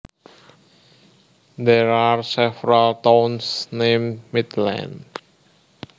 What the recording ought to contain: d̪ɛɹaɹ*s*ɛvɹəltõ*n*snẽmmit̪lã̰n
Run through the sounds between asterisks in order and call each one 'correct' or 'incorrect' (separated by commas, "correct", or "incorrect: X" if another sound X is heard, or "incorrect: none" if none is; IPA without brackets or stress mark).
correct, correct